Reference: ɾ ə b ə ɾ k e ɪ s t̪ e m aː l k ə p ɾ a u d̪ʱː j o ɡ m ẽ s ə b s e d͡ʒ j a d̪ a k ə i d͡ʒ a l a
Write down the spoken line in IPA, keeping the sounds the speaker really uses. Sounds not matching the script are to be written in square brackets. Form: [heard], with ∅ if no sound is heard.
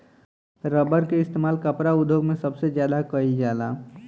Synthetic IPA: ɾ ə b ə ɾ k e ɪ s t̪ e m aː l k ə p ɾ a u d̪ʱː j o ɡ m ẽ s ə b s e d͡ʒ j a d̪ a k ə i d͡ʒ a l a

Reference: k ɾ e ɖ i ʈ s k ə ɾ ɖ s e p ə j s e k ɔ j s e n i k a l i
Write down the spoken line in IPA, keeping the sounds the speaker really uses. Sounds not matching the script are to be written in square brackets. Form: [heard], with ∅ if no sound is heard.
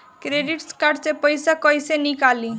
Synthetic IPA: k ɾ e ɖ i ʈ s k [a] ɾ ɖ s e p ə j s [a] k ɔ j s e n i k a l i

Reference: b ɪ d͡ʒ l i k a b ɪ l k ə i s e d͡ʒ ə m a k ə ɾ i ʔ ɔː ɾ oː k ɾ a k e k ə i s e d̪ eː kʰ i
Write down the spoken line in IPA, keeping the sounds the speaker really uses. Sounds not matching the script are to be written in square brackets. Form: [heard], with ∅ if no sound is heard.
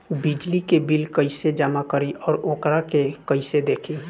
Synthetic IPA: b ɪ d͡ʒ l i k [e] b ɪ l k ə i s e d͡ʒ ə m a k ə ɾ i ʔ ɔː ɾ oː k ɾ a k e k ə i s e d̪ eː kʰ i

